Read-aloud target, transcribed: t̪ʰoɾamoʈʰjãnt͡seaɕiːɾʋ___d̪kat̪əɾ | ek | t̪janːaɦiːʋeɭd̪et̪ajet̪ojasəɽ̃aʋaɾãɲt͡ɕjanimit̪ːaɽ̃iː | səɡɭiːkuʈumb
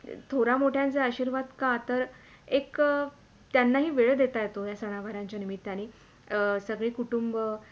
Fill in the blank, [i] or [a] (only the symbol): a